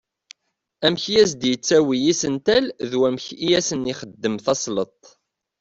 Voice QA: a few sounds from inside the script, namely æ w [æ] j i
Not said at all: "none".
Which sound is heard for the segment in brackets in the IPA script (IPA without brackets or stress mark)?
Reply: i